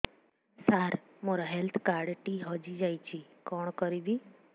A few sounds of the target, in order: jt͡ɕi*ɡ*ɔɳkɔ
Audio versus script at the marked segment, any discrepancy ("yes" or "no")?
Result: yes